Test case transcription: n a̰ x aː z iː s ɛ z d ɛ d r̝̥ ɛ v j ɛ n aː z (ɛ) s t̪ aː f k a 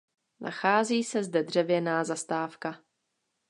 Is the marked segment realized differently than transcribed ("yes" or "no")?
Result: yes